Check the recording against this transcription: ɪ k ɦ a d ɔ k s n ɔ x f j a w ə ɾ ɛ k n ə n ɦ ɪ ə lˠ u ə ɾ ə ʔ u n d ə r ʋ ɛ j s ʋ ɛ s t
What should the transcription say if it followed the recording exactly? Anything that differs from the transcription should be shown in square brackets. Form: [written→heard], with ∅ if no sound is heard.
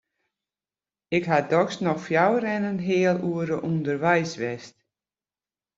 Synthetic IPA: ɪ k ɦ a d ɔ k s n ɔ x f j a w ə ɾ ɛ [k→∅] n ə n ɦ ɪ ə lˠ u ə ɾ ə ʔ u n d ə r ʋ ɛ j s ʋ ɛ s t